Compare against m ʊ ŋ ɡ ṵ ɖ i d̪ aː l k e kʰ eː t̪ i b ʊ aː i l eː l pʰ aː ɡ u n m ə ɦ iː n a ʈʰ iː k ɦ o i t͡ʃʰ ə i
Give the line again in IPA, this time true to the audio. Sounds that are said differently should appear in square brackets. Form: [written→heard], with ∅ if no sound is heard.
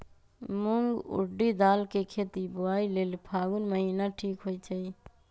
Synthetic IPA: m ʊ ŋ ɡ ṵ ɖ i d̪ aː l k e kʰ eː t̪ i b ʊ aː i l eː l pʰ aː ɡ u n m ə ɦ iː n a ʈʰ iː k ɦ o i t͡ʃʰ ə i